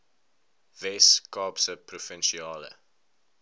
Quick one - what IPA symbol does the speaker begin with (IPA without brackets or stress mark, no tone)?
v